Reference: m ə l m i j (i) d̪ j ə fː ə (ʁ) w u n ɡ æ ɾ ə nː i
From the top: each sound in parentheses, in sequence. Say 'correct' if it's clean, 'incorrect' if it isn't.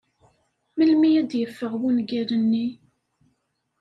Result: incorrect: æ, correct

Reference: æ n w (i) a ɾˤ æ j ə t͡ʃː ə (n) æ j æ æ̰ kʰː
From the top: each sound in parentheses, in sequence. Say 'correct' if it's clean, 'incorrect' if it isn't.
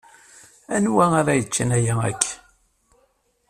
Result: incorrect: æ, correct

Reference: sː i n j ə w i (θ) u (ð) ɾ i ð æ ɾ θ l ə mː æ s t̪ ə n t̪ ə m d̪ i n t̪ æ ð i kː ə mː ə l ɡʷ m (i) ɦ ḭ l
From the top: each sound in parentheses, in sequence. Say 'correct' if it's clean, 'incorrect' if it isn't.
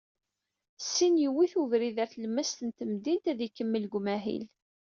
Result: correct, incorrect: v, incorrect: æ

